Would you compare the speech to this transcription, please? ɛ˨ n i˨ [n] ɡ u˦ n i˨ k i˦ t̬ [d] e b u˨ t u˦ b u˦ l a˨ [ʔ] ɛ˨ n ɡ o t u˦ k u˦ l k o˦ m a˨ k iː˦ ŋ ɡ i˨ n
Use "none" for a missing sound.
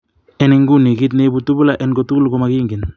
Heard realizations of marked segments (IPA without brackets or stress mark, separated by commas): ŋ, n, ʔ